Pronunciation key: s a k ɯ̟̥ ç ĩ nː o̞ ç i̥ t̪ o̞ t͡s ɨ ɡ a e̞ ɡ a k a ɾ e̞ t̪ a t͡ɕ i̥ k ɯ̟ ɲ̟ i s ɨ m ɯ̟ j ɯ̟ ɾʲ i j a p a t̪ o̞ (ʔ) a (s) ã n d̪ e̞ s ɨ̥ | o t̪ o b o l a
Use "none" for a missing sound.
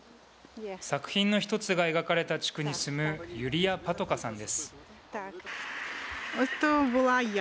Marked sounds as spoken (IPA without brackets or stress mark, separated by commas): k, s